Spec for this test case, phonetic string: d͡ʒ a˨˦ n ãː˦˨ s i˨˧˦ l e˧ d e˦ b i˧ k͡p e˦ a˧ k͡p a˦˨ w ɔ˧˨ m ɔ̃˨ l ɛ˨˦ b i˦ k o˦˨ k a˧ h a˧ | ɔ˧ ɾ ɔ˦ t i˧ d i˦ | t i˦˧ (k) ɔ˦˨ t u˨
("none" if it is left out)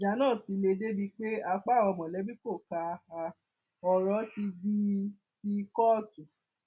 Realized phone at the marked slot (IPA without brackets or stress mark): k